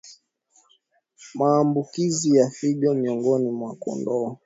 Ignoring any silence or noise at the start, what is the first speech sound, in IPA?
m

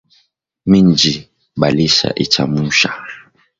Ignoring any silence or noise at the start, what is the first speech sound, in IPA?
m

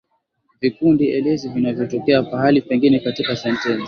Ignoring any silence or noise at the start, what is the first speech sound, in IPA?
v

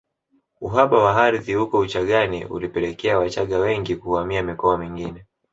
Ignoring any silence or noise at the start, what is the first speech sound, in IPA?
u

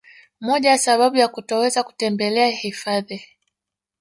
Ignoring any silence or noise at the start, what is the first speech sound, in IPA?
m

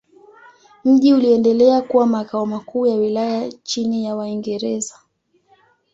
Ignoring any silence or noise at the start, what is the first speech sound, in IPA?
m̩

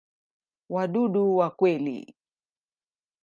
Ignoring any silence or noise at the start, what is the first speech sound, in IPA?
w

